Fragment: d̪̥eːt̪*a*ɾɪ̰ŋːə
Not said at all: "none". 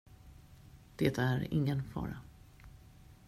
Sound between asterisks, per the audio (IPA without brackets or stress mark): æ